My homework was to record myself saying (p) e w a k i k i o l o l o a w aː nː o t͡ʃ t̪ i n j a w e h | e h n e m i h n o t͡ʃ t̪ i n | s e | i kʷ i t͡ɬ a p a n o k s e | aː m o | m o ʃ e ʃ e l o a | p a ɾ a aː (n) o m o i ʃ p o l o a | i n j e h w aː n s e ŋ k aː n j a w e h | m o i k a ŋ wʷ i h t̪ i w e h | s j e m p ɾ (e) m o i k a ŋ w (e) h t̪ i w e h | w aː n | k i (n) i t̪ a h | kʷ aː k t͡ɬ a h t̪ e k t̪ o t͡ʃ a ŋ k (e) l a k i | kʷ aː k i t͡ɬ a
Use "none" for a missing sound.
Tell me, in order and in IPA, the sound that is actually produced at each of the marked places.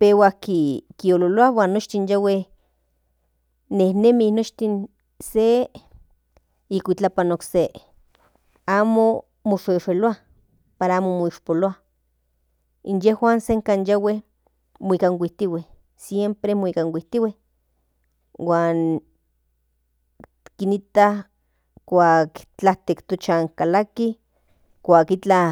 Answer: p, m, e, i, n, a

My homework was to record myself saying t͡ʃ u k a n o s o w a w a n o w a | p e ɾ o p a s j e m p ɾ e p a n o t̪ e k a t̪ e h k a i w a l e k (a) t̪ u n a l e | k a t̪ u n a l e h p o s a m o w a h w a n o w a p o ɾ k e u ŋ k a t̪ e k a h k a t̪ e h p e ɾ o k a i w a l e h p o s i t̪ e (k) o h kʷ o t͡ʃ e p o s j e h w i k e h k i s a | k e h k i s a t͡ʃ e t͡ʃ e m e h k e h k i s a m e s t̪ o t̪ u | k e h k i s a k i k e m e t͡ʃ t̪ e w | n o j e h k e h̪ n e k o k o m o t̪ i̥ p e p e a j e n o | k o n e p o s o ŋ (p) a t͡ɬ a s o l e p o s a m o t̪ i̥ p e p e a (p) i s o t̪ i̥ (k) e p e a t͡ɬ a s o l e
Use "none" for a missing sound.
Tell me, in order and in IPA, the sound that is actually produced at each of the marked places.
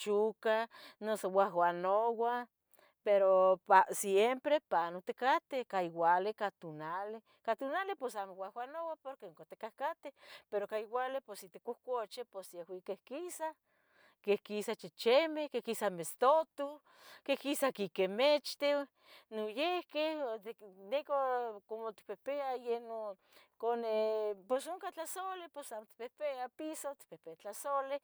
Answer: a, k, k, p, p

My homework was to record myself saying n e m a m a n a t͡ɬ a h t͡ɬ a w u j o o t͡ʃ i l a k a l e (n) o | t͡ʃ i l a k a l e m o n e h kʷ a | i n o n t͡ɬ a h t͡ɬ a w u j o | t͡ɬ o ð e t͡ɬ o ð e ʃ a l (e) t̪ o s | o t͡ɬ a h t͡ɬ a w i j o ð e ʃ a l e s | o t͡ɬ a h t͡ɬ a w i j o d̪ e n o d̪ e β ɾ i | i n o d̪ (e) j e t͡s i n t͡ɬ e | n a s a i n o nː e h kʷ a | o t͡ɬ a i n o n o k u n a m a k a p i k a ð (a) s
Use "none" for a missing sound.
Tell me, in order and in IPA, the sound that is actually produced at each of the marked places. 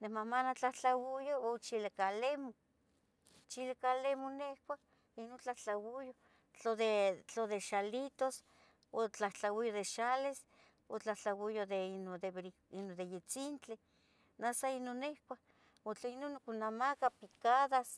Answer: m, i, e, a

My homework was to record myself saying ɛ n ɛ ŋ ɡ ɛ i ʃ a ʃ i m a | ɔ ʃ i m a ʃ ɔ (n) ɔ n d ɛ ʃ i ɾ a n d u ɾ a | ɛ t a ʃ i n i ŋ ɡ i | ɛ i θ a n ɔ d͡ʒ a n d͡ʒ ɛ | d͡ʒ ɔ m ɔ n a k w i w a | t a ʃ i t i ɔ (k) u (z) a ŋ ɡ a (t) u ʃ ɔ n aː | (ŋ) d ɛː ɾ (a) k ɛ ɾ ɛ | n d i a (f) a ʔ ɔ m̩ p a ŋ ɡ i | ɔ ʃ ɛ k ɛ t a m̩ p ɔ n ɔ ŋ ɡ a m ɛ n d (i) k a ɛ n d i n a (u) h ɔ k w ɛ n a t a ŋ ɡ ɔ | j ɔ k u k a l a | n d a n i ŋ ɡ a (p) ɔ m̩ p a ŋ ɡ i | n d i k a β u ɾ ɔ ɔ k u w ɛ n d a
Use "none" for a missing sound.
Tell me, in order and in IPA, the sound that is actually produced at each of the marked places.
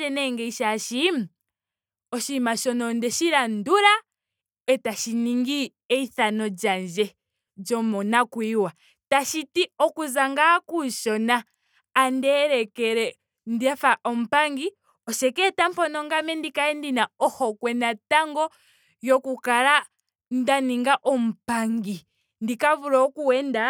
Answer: n, k, z, k, n, ɛ, f, i, ɔ, ʔ

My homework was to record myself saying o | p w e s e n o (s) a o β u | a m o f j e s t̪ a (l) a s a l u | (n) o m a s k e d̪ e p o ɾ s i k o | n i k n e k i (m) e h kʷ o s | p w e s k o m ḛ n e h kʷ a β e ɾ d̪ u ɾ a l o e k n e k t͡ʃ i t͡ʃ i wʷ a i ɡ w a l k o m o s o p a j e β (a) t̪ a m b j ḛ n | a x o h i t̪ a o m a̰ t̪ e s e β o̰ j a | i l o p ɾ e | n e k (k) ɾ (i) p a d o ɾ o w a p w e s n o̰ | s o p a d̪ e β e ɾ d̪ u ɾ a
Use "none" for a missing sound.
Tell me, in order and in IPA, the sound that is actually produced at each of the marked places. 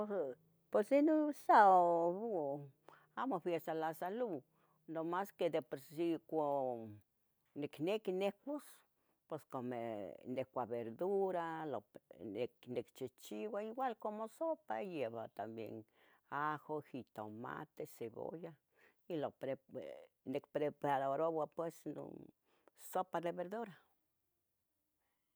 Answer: s, l, n, n, a, p, e

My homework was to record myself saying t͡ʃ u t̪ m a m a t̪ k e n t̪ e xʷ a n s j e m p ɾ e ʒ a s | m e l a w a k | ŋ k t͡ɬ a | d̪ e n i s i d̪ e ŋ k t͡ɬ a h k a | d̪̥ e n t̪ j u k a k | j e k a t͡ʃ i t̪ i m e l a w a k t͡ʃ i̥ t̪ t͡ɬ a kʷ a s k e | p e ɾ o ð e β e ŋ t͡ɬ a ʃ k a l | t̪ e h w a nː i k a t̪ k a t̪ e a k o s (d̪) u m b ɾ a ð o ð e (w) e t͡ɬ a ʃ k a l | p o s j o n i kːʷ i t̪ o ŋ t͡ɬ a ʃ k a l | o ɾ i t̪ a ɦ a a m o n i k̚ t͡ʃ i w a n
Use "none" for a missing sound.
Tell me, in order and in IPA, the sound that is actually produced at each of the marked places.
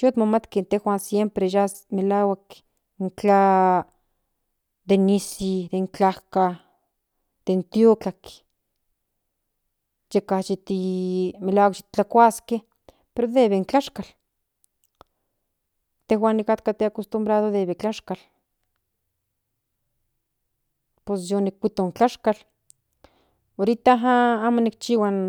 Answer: t̪, β

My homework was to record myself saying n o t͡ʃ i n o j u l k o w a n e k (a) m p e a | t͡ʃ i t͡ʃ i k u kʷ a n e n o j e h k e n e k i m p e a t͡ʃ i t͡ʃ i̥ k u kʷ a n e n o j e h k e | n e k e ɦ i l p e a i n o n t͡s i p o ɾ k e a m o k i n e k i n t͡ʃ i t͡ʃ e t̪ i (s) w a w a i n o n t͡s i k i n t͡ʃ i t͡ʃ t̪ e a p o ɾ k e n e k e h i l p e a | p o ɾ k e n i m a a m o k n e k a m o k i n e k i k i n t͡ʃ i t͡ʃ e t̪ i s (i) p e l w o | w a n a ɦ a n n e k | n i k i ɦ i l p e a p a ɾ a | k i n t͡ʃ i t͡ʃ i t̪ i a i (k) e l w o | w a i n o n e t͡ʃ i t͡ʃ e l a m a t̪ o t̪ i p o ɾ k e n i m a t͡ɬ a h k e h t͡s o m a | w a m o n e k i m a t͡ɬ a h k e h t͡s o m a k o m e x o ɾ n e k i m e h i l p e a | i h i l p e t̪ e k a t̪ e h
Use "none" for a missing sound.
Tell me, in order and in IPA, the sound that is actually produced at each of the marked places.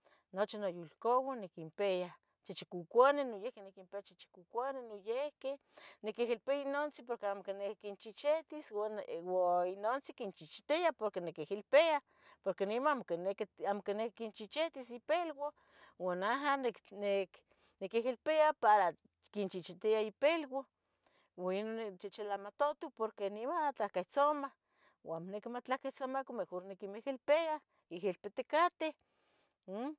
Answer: i, s, i, p

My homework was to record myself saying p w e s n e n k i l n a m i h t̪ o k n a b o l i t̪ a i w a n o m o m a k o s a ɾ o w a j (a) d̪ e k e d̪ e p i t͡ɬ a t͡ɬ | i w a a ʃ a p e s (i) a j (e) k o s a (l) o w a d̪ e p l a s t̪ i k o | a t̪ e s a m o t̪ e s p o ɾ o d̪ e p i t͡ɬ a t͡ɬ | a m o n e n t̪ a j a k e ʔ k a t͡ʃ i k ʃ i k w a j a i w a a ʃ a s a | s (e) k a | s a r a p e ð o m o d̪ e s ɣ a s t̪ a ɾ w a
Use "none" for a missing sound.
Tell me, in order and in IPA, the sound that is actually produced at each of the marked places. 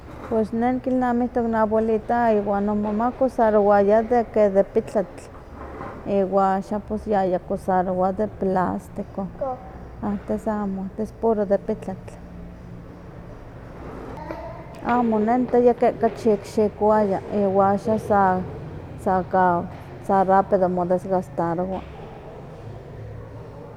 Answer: a, j, a, ɾ, a

